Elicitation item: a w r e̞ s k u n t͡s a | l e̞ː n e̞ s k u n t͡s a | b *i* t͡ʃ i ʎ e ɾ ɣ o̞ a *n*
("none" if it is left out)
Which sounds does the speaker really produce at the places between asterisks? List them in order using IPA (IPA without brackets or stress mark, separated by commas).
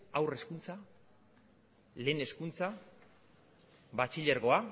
a, none